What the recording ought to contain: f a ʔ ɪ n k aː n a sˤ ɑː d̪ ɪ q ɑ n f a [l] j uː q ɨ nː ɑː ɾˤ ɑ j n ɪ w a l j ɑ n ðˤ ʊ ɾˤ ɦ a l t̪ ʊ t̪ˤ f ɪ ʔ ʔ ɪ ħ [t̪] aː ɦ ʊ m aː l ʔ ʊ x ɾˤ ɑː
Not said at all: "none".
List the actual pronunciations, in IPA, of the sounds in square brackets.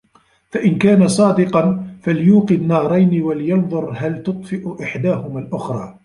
l, d̪

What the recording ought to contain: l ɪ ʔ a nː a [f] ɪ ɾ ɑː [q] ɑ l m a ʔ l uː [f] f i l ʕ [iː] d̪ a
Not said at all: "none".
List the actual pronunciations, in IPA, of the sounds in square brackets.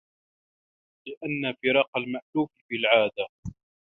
f, q, f, aː

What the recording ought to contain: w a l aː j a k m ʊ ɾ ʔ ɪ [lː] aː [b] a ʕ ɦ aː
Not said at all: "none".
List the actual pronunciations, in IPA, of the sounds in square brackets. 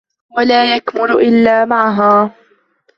lː, m

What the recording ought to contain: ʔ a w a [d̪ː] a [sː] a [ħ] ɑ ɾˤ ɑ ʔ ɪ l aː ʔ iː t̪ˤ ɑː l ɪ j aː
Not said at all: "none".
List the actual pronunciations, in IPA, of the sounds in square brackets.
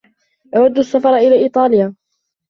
d̪ː, sː, f

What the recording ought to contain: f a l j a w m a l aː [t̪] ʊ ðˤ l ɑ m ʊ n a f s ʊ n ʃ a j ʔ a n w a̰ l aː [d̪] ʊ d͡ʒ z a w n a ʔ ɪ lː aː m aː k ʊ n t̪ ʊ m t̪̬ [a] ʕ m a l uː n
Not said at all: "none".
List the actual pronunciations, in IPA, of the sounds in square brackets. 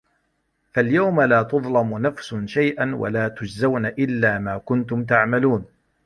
t̪, t̪, a

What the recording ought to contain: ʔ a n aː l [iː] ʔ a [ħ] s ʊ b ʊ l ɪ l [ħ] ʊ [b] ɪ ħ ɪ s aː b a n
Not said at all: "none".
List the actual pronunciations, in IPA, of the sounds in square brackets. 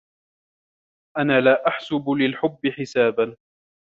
aː, ħ, ħ, bː

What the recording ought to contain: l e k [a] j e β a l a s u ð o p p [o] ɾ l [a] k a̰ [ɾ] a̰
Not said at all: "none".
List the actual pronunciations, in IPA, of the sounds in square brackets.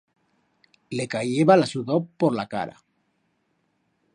a, o, a, ɾ

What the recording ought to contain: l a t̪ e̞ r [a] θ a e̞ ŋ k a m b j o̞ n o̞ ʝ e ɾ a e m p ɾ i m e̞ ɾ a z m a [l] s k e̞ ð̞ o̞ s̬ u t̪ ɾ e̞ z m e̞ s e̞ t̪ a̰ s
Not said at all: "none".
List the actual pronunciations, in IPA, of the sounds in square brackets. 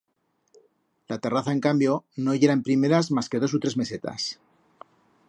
a, none

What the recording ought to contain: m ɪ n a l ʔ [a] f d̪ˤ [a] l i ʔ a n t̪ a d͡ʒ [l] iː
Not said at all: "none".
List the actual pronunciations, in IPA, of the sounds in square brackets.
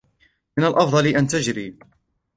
ɑ, ɑ, ɾ

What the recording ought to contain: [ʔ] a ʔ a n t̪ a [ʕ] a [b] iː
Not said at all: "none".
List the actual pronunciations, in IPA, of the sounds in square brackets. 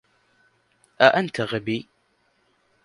ʔ, ɣ, b

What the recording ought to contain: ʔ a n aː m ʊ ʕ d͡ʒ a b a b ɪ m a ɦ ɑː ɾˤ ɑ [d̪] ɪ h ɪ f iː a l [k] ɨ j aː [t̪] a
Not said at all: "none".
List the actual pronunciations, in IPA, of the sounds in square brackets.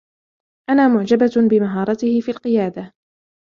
t̪, q, d̪

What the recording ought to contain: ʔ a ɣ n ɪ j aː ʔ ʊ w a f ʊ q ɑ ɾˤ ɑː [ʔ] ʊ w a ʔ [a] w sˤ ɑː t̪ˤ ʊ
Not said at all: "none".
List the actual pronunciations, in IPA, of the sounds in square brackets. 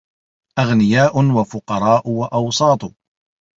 ʔ, ɑ

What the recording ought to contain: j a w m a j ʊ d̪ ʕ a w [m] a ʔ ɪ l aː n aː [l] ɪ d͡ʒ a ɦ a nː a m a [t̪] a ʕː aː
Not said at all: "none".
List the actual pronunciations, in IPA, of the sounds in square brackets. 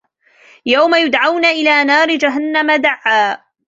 n, ɾ, d̪

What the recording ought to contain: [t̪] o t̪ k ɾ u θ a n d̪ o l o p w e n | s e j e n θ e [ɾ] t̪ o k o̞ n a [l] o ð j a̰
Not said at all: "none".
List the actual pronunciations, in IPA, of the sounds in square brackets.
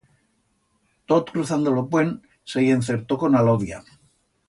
t̪, ɾ, l

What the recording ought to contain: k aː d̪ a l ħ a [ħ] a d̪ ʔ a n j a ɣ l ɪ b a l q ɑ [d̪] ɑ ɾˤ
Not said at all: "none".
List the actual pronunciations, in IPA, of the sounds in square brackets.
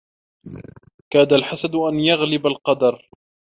s, d̪

